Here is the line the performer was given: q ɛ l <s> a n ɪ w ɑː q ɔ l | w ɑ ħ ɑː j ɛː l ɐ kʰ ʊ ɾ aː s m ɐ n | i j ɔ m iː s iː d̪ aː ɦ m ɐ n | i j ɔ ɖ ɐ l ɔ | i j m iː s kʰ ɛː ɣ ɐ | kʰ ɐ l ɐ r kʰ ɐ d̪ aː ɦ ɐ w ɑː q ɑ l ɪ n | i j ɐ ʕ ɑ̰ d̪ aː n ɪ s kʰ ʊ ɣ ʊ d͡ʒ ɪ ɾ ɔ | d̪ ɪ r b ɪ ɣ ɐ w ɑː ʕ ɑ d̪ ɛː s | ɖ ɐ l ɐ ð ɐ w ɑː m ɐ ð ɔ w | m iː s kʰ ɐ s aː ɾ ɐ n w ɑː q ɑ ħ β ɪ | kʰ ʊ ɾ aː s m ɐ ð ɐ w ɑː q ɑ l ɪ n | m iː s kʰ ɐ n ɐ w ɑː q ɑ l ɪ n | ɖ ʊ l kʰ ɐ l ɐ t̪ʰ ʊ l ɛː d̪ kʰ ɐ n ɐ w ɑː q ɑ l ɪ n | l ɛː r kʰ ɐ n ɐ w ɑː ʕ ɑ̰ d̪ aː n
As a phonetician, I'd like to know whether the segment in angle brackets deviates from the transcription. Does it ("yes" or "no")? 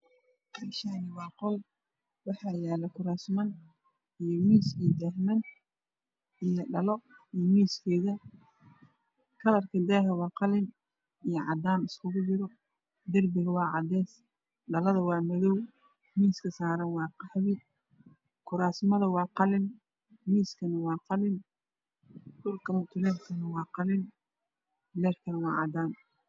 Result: yes